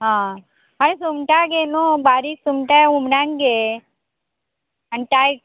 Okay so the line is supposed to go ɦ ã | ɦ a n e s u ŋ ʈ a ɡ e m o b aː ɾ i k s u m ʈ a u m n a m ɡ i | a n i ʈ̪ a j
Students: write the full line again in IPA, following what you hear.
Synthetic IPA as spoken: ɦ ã | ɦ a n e s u m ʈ a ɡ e n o b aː ɾ i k s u m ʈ a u m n a ŋ ɡ e | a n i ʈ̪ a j